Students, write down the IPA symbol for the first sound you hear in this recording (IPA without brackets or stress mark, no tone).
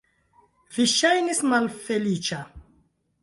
v